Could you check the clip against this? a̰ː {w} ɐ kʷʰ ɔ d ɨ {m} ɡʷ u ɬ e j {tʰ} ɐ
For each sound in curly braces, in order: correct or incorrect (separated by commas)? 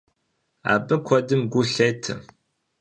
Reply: incorrect, correct, correct